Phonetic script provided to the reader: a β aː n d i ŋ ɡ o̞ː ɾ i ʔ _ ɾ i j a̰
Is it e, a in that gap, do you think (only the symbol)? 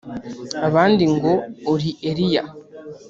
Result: e